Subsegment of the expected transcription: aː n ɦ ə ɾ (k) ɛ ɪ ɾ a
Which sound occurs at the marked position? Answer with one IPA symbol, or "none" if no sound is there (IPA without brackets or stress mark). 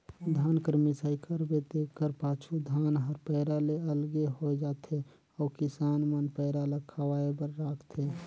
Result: p